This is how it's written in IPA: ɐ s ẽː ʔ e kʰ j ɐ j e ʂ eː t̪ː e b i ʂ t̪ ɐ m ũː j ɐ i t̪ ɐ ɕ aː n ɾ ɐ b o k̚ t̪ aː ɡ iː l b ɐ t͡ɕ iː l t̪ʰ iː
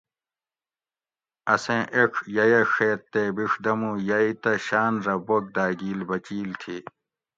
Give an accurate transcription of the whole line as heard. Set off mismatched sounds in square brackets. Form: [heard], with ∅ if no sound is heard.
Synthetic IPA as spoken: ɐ s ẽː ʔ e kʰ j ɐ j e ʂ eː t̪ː e b i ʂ [d̪] ɐ m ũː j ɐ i t̪ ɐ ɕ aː n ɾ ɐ b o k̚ [d̪] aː ɡ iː l b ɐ t͡ɕ iː l t̪ʰ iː

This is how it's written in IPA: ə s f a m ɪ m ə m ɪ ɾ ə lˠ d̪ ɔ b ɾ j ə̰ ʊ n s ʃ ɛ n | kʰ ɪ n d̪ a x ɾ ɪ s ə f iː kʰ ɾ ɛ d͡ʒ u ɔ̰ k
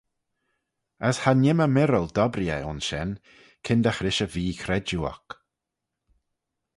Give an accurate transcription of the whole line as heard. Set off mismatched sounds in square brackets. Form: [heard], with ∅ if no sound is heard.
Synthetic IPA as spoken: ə s [h] a [n] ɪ m ə m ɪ ɾ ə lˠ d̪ ɔ b ɾ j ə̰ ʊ n s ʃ ɛ n | kʰ ɪ n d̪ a x ɾ ɪ [ʃ] ə [v] iː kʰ ɾ ɛ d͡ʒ u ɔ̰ k

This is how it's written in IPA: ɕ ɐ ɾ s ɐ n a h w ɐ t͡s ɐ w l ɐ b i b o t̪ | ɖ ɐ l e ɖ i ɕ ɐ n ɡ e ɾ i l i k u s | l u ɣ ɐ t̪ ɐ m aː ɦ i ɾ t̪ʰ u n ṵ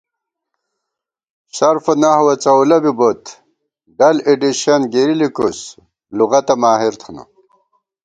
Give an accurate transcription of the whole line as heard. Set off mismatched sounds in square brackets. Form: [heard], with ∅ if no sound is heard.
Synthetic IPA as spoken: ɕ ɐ ɾ [f] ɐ n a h w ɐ t͡s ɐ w l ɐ b i b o t̪ | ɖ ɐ l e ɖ i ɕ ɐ n ɡ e ɾ i l i k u s | l u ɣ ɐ t̪ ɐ m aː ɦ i ɾ t̪ʰ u n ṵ

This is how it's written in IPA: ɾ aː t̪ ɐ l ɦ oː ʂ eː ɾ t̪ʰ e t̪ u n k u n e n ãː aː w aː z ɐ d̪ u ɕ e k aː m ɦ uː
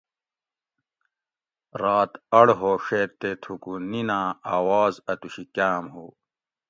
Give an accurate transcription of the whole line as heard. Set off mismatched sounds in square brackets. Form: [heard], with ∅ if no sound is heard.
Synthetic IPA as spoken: ɾ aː t̪ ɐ [ɽ] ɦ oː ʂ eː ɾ [t̪] e [t̪ʰ] u [∅] k u n [i] n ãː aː w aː z ɐ [t̪] u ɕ [i] k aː m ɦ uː

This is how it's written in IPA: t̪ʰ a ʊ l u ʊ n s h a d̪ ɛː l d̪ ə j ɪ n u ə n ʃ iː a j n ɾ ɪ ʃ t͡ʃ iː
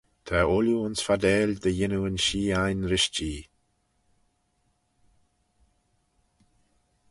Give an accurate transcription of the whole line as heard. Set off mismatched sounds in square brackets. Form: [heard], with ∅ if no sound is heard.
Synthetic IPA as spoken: t̪ʰ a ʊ l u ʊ n s [f] a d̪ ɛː l d̪ ə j ɪ n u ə n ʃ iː a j n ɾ ɪ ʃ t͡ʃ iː

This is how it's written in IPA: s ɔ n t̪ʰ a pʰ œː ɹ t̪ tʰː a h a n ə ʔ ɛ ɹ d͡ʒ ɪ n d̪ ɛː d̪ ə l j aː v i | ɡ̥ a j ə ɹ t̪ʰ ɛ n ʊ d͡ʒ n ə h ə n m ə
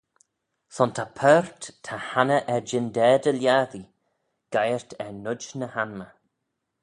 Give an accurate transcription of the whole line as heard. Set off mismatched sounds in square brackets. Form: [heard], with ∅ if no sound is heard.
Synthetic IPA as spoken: s ɔ n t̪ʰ a pʰ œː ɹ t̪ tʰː a h a n ə ʔ ɛ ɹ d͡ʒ ɪ n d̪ ɛː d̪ ə l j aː [ð] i | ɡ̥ a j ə ɹ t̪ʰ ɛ n ʊ d͡ʒ n ə h [a] n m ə

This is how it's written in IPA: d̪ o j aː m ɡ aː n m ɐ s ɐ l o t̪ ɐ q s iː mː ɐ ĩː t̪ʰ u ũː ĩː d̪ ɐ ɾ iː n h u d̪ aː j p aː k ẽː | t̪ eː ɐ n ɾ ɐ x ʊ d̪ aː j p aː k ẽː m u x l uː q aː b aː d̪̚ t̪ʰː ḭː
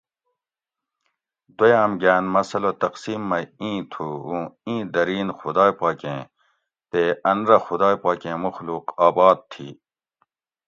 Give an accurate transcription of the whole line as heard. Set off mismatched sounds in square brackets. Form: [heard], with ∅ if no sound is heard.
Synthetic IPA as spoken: d̪ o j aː m ɡ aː n m ɐ s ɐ l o t̪ ɐ q s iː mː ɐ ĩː t̪ʰ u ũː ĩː d̪ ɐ ɾ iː n [x] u d̪ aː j p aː k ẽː | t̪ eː ɐ n ɾ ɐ x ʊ d̪ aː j p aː k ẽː m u x l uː q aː b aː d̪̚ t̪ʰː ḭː

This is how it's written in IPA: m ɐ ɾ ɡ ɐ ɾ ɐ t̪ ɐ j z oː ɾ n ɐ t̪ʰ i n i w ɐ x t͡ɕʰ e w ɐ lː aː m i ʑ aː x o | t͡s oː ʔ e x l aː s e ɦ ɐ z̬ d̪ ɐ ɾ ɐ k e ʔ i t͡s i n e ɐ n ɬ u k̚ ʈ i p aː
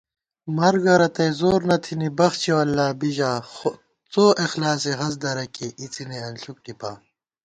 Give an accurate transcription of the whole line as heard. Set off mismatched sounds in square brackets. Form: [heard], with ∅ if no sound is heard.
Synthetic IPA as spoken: m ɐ ɾ ɡ ɐ ɾ ɐ t̪ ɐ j z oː ɾ n ɐ t̪ʰ i n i [b] ɐ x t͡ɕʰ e w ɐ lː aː [b] i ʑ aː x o | t͡s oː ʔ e x l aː s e ɦ ɐ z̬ d̪ ɐ ɾ ɐ k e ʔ i t͡s i n e ɐ n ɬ u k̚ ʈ i p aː

